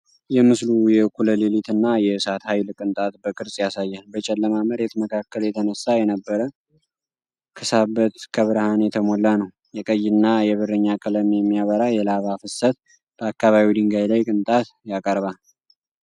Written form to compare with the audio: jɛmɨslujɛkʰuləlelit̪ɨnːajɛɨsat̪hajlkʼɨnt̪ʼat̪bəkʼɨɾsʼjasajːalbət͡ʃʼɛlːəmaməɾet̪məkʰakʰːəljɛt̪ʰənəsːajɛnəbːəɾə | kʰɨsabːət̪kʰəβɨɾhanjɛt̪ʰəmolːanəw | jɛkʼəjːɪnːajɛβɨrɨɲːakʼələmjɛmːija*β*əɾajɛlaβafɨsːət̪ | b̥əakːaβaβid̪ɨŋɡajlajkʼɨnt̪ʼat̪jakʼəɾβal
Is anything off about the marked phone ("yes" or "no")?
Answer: no